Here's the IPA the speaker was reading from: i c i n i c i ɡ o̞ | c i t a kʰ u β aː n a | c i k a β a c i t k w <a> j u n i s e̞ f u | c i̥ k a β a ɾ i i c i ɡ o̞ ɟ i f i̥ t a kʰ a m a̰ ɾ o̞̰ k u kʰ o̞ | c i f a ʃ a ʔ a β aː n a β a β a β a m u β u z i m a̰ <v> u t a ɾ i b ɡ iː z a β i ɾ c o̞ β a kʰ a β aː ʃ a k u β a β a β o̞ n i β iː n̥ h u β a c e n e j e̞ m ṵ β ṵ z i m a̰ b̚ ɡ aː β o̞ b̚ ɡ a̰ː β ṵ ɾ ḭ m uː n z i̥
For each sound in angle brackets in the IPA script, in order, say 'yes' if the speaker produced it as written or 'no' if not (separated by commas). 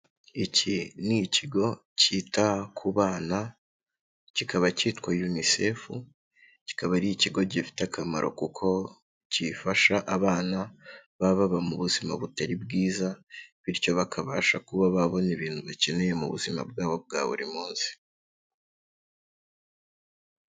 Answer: yes, no